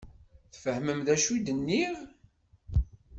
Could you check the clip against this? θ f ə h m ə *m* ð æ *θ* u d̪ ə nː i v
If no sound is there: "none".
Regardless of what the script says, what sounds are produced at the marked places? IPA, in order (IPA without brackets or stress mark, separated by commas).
m, ʃ